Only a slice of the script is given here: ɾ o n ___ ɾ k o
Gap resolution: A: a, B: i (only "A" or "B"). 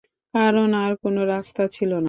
A